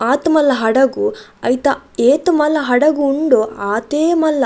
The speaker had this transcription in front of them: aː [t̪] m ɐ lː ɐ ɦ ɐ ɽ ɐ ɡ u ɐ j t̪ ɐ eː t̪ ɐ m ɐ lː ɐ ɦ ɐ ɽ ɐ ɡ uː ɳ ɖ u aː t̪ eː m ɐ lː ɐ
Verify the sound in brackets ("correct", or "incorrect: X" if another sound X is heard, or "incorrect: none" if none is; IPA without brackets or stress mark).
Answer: correct